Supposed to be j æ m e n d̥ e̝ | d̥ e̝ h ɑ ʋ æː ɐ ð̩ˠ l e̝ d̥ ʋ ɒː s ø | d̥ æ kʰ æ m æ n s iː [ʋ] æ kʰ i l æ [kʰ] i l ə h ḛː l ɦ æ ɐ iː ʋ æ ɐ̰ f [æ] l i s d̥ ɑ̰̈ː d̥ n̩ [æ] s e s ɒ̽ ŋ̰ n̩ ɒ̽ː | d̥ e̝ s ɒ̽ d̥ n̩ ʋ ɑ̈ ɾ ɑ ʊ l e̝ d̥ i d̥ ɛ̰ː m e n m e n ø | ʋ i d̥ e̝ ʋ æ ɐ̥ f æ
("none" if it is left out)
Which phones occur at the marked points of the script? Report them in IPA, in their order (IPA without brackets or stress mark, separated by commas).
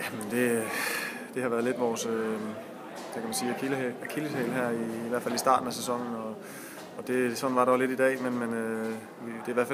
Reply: none, kʰ, æ, æ